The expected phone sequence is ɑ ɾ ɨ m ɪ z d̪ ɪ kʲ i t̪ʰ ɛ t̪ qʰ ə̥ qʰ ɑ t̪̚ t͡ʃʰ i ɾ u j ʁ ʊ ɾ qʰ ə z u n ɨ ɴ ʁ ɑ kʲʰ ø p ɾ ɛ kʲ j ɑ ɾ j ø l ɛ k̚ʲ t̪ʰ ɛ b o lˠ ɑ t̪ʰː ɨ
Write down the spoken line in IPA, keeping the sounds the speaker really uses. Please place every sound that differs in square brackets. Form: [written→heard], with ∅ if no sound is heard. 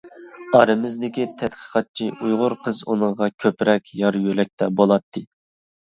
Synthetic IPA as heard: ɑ ɾ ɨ m ɪ z d̪ ɪ kʲ i t̪ʰ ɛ t̪ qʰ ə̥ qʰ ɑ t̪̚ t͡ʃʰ i [ɾ→∅] u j ʁ ʊ ɾ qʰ ə z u n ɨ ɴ ʁ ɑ kʲʰ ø p ɾ ɛ kʲ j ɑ ɾ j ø l ɛ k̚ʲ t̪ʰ ɛ b o lˠ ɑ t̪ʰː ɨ